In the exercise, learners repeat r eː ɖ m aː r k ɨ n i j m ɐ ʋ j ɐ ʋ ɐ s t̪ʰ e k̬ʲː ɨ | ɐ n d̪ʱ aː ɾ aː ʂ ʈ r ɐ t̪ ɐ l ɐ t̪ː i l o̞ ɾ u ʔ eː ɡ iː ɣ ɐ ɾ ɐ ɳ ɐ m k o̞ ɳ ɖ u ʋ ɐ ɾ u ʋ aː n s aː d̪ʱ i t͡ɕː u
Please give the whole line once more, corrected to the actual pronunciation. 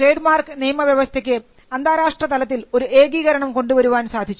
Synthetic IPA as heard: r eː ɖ m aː r k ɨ n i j m ɐ ʋ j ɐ ʋ ɐ s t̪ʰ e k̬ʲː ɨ | ɐ n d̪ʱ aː ɾ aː ʂ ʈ r ɐ t̪ ɐ l ɐ t̪ː i l o̞ ɾ u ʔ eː ɡ iː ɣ ɐ ɾ ɐ ɳ ɐ m k o̞ ɳ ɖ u ʋ ɐ ɾ u ʋ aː n s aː d̪ʱ i t͡ɕː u